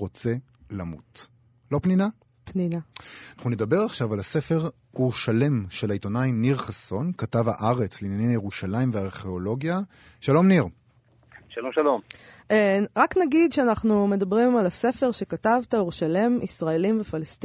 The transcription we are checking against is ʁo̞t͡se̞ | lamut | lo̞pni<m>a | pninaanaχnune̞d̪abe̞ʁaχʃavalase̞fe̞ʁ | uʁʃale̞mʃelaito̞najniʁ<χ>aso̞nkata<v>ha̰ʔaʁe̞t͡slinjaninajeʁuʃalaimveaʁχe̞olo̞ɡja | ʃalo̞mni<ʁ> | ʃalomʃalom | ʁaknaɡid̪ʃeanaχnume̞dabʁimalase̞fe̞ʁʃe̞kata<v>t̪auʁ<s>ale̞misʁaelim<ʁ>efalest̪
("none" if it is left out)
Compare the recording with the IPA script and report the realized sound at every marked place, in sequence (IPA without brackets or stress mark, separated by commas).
n, χ, v, ʁ, v, ʃ, v